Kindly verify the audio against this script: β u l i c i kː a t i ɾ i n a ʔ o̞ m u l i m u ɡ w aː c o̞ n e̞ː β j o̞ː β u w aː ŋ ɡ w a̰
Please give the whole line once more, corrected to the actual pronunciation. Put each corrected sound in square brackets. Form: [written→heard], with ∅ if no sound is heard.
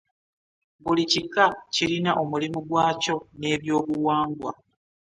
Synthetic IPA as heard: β u l i c i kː a [t→c] i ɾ i n a ʔ o̞ m u l i m u ɡ w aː c o̞ n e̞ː β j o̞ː β u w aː ŋ ɡ w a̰